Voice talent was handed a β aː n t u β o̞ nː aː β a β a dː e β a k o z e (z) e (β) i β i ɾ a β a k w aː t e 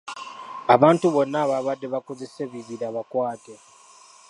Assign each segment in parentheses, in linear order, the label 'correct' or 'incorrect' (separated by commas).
incorrect, correct